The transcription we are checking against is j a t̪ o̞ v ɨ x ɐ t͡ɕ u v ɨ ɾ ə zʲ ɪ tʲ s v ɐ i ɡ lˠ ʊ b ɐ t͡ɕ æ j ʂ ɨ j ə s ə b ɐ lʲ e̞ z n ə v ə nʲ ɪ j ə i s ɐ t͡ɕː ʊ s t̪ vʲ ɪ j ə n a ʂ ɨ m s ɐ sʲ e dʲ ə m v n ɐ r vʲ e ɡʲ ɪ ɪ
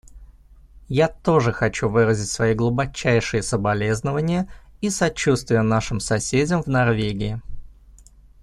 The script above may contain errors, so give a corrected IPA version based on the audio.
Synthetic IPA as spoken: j a t̪ o̞ ʐ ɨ x ɐ t͡ɕ u v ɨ ɾ ə zʲ ɪ tʲ s v ɐ i ɡ lˠ ʊ b ɐ t͡ɕ æ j ʂ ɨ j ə s ə b ɐ lʲ e̞ z n ə v ə nʲ ɪ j ə i s ɐ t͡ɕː u s t̪ vʲ ɪ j ə n a ʂ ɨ m s ɐ sʲ e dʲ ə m v n ɐ r vʲ e ɡʲ ɪ ɪ